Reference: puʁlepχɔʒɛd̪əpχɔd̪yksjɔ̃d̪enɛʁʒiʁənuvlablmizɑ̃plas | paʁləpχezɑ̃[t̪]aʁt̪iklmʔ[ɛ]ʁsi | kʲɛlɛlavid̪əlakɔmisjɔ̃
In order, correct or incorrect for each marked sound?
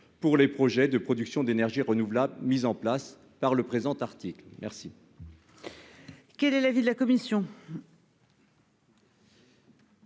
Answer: correct, correct

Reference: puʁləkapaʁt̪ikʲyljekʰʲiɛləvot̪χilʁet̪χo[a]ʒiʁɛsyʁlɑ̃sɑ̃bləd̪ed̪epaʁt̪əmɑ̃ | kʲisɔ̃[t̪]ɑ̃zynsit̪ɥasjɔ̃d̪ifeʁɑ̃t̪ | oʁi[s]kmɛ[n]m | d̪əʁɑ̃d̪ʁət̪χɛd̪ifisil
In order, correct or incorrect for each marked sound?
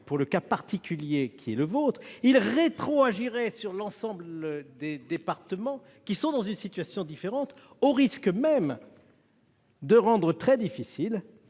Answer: correct, incorrect, correct, incorrect

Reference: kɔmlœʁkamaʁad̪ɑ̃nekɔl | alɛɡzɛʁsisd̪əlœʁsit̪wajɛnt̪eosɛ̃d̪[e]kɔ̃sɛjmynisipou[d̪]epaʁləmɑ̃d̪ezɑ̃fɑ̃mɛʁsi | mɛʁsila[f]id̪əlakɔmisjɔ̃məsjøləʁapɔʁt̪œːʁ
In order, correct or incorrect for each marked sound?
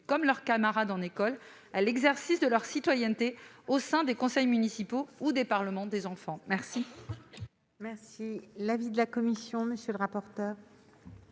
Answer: correct, correct, incorrect

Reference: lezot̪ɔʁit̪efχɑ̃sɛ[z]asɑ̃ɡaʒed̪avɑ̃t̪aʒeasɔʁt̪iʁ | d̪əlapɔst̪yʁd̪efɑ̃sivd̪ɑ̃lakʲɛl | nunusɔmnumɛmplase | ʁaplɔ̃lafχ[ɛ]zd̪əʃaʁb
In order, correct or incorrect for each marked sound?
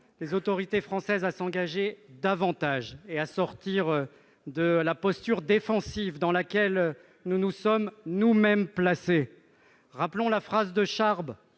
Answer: correct, incorrect

